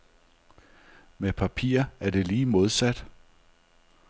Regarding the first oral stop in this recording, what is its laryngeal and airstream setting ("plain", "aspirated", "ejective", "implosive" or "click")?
aspirated